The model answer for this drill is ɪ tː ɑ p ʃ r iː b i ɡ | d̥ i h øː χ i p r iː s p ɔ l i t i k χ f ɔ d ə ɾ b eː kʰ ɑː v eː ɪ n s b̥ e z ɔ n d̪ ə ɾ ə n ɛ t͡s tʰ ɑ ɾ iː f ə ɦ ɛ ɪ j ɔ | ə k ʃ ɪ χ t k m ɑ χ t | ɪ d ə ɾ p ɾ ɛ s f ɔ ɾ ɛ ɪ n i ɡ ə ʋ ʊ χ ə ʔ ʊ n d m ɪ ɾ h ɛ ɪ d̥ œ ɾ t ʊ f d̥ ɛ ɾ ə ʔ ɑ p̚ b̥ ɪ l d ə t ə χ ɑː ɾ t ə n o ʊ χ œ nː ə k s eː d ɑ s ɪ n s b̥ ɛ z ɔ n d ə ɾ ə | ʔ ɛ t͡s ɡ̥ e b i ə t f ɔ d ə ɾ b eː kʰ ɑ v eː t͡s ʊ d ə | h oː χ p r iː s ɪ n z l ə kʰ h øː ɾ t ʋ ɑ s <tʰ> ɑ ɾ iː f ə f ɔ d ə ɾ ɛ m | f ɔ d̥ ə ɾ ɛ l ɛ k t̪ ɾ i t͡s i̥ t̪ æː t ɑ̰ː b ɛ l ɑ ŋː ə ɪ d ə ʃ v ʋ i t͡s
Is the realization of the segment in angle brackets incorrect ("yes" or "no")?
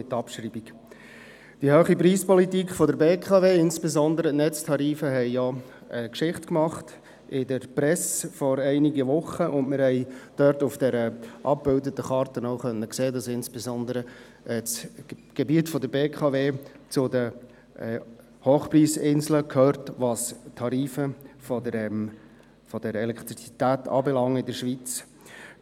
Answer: no